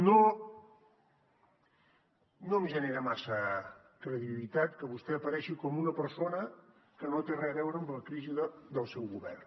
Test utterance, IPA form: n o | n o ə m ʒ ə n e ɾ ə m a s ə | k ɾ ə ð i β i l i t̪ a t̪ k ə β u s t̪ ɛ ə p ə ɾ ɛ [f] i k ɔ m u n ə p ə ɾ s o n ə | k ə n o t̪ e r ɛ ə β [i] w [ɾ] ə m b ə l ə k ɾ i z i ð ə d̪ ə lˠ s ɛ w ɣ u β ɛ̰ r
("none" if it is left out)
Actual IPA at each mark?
ʃ, ɛ, ɾ

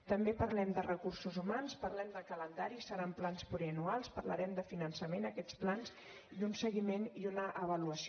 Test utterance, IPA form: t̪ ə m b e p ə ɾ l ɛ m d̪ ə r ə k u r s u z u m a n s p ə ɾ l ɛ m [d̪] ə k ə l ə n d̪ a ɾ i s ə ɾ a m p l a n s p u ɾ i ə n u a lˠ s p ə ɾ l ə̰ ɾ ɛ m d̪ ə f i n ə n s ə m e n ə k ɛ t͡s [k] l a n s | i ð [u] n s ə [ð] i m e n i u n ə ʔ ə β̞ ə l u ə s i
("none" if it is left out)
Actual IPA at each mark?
d̪, p, u, ɣ

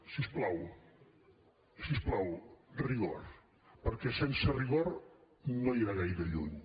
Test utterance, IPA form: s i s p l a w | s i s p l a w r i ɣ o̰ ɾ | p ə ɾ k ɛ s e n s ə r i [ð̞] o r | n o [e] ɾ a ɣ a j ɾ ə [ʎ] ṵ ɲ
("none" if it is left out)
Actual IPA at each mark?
ɣ̞, i, ʎ

